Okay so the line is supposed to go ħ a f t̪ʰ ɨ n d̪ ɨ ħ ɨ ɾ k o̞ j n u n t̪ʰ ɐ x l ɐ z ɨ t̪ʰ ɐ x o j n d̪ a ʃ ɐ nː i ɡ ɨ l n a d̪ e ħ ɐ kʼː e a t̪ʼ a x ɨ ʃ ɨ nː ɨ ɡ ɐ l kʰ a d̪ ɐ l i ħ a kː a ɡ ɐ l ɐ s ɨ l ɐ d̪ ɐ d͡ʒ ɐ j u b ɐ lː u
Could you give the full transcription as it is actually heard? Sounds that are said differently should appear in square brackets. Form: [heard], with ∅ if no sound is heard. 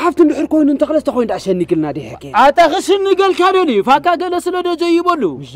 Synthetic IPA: ħ a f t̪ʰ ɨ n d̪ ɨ ħ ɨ ɾ k o̞ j n u n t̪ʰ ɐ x l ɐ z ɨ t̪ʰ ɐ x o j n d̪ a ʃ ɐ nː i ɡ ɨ l n a d̪ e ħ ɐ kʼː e a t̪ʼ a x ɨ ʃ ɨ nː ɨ ɡ ɐ l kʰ a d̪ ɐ l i [f] a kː a ɡ ɐ l ɐ s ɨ l ɐ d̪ ɐ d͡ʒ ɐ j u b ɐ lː u